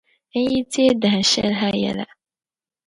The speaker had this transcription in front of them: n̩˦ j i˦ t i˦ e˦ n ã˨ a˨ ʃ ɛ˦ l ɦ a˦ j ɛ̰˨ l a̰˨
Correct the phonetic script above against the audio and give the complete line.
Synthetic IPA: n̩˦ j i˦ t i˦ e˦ d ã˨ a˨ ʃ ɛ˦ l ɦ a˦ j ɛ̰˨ l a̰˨